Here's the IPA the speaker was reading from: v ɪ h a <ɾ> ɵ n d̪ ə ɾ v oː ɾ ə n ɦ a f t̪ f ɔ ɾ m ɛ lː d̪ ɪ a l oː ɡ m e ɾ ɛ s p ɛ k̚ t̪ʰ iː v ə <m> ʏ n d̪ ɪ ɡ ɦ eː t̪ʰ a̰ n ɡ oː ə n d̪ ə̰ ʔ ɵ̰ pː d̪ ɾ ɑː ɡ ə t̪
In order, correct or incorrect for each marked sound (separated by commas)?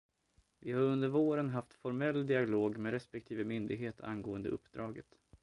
correct, correct